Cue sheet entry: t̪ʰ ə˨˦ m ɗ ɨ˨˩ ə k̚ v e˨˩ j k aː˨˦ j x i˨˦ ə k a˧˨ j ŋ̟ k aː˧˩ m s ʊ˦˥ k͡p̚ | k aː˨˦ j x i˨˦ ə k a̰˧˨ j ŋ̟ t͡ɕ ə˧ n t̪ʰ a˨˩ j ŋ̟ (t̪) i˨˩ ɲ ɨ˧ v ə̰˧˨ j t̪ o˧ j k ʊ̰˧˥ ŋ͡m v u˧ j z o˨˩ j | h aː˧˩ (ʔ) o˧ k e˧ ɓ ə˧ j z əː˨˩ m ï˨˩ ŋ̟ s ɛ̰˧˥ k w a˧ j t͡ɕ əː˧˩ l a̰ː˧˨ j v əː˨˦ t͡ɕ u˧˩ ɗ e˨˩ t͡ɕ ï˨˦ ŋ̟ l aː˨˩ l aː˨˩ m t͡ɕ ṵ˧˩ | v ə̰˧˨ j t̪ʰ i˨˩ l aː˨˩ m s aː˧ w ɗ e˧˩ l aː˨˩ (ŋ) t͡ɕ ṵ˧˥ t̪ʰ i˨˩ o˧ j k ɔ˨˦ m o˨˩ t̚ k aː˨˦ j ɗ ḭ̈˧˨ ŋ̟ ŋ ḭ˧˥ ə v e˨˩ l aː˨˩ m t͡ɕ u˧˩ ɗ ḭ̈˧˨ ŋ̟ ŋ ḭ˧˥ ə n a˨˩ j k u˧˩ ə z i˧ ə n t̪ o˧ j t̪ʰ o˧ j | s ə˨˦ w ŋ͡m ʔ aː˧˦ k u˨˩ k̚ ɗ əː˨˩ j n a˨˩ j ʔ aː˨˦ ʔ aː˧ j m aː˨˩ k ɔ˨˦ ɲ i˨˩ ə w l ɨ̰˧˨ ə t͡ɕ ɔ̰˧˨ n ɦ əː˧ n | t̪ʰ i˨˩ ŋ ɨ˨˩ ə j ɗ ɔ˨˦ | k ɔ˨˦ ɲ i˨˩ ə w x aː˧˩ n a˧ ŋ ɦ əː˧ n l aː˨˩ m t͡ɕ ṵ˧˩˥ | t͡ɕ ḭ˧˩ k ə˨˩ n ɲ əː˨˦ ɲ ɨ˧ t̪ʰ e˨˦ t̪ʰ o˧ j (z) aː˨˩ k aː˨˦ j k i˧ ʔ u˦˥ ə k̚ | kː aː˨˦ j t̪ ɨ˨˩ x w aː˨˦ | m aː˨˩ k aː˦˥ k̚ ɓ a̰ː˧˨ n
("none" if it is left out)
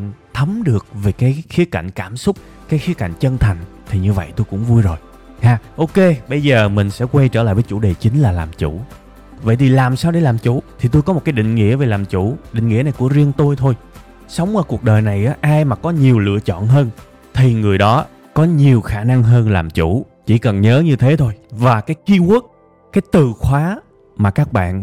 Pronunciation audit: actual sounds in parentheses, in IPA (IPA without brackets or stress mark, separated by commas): t̪ʰ, ʔ, m, v